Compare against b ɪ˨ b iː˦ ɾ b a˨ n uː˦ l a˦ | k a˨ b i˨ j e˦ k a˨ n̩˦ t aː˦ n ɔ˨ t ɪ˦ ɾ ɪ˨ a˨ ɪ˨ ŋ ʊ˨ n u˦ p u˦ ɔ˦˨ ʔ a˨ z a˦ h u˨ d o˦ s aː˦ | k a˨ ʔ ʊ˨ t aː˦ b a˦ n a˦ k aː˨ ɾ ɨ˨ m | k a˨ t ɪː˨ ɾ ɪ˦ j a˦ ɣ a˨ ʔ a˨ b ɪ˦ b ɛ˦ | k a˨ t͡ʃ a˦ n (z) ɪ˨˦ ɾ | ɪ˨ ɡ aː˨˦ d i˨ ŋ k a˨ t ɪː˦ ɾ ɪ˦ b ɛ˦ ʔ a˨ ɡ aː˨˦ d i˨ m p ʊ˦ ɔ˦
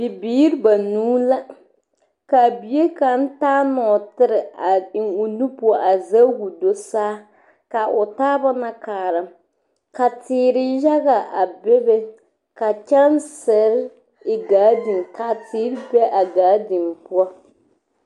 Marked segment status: incorrect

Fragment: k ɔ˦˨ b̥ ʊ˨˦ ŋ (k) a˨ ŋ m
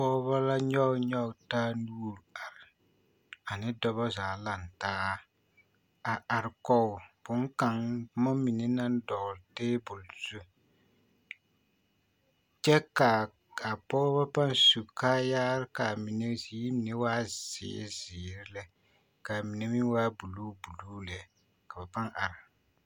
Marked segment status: correct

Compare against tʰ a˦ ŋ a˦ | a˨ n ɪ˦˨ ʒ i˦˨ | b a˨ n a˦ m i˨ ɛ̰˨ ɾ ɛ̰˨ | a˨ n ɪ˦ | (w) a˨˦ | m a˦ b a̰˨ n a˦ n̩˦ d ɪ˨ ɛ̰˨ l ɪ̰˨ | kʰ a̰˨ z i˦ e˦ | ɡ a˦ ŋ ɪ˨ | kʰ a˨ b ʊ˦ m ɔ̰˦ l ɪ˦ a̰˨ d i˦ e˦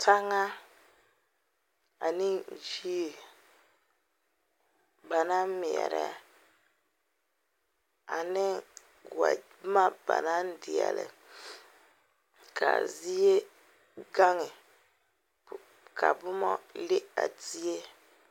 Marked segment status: correct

